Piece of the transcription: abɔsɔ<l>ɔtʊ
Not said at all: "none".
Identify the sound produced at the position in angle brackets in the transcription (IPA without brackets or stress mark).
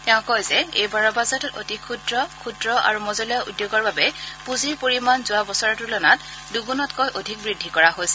ɹ